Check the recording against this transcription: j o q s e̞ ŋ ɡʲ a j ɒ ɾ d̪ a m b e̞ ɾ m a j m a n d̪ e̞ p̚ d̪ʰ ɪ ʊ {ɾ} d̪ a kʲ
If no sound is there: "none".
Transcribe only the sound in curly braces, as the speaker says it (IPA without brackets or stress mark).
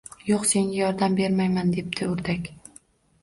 ɾ